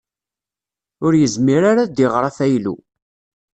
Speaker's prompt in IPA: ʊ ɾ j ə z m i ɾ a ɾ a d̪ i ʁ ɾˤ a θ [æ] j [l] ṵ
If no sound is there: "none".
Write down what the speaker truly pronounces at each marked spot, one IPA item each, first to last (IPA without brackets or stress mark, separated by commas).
æ, l